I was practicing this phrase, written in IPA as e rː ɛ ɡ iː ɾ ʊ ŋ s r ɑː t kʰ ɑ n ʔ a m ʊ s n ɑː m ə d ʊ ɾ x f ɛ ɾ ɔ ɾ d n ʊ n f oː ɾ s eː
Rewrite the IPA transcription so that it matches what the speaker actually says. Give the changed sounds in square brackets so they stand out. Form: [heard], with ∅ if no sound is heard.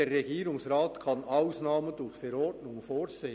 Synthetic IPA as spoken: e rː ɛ ɡ iː ɾ ʊ ŋ s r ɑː t kʰ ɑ n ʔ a [∅] ʊ s n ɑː m ə d ʊ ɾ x f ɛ ɾ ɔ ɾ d n ʊ [ŋ] f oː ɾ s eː